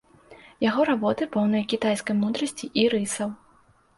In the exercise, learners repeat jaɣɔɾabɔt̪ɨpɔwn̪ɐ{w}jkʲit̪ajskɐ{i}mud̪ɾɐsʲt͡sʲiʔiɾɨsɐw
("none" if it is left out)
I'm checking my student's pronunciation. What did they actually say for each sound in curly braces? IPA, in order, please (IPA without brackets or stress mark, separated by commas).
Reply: none, j